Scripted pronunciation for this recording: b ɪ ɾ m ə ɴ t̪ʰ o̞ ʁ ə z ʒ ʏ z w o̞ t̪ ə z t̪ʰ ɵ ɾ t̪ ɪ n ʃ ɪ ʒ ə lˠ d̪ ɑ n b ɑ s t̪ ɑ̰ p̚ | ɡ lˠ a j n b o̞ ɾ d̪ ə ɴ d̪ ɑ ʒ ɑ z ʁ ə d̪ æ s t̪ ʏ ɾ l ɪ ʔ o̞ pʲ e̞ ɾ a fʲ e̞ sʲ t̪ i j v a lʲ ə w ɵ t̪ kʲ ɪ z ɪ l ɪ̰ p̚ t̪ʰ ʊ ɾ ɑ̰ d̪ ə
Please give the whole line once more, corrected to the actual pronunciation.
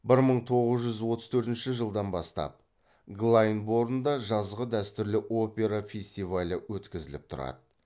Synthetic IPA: b ɪ ɾ m ə ɴ t̪ʰ o̞ ʁ ə z ʒ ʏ z w o̞ t̪ ə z t̪ʰ ɵ ɾ t̪ ɪ n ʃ ɪ ʒ ə lˠ d̪ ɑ n b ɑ s t̪ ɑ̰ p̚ | ɡ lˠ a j n b o̞ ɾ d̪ ə n d̪ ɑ ʒ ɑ z ʁ ə d̪ æ s t̪ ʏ ɾ l ɪ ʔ o̞ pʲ e̞ ɾ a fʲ e̞ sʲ t̪ i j v a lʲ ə w ɵ t̪ kʲ ɪ z ɪ l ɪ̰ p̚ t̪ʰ ʊ ɾ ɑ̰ d̪ ə